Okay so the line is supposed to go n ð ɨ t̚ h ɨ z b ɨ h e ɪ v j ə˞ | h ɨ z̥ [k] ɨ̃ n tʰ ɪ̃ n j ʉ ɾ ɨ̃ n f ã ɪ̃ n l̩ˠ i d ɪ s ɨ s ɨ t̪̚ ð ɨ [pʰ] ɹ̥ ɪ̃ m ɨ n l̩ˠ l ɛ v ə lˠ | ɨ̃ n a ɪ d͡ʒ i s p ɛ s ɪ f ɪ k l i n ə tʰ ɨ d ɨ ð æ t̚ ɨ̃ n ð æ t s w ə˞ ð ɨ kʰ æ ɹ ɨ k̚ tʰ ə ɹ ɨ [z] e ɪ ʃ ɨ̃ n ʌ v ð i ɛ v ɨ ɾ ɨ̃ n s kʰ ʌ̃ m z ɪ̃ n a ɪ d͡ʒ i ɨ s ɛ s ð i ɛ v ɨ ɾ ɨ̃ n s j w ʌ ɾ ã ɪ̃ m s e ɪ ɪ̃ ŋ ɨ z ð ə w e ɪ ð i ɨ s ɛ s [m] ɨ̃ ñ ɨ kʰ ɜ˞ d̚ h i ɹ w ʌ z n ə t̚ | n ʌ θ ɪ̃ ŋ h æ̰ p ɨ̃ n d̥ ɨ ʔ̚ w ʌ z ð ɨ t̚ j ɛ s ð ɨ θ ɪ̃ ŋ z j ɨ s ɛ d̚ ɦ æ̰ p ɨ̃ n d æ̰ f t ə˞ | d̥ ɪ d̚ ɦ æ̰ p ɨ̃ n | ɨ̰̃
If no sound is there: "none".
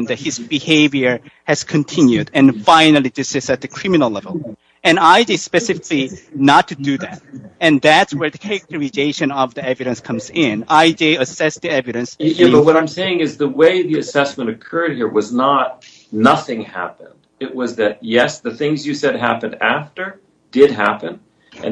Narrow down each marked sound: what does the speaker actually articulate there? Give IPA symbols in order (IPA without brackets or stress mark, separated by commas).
kʰ, kʰ, z, m